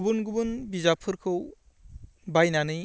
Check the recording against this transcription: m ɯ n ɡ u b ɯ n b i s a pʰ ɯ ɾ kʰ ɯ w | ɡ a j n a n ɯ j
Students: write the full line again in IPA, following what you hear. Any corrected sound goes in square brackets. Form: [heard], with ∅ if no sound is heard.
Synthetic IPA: [b] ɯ n ɡ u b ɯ n b i [z] a pʰ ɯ ɾ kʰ ɯ w | [b] a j n a n ɯ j